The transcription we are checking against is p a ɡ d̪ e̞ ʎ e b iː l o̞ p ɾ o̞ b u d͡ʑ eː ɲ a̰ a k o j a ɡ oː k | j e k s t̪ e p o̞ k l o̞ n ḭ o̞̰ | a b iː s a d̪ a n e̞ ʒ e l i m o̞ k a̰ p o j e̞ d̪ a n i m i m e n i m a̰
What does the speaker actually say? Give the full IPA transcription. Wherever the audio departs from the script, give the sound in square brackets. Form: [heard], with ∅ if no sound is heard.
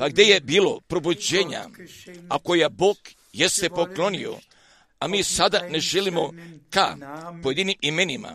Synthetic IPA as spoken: p a ɡ d̪ e̞ [j] e b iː l o̞ p ɾ o̞ b u d͡ʑ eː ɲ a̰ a k o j a [b] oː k | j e [∅] s t̪ e p o̞ k l o̞ n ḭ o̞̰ | a [m] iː s a d̪ a n e̞ ʒ e l i m o̞ k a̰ p o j e̞ d̪ [i] n i m i m e n i m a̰